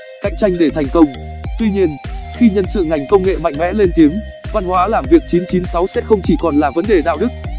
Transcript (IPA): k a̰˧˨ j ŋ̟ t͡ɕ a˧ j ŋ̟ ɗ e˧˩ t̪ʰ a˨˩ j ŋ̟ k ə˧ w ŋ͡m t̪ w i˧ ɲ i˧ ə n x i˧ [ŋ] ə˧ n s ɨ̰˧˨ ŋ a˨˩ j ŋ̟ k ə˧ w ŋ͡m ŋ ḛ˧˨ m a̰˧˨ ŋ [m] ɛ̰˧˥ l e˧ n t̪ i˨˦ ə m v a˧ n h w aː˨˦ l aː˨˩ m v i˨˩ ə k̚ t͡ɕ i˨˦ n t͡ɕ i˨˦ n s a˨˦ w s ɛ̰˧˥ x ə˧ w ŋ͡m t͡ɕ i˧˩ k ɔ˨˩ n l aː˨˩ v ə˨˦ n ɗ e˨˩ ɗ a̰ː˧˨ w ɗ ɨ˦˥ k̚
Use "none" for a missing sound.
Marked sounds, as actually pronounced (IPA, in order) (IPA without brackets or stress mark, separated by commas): ɲ, m